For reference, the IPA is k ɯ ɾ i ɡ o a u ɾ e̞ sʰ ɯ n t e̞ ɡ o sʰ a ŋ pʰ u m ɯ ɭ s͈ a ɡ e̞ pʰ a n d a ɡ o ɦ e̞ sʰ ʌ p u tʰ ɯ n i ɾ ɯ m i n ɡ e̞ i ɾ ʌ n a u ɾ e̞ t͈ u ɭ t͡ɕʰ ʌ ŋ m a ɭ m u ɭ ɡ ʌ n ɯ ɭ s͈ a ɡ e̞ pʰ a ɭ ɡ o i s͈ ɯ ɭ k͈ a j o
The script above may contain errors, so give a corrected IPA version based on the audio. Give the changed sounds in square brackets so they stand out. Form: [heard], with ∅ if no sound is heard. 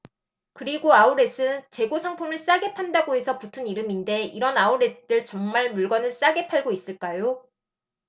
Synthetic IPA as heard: k ɯ ɾ i ɡ o a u ɾ e̞ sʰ ɯ n [t͡ɕ] e̞ ɡ o sʰ a ŋ pʰ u m ɯ ɭ s͈ a ɡ e̞ pʰ a n d a ɡ o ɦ e̞ sʰ ʌ p u tʰ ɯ n i ɾ ɯ m i n [d] e̞ i ɾ ʌ n a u ɾ e̞ t͈ [ɯ] ɭ [t͡ɕ] ʌ ŋ m a ɭ m u ɭ ɡ ʌ n ɯ ɭ s͈ a ɡ e̞ pʰ a ɭ ɡ o i s͈ ɯ ɭ k͈ a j o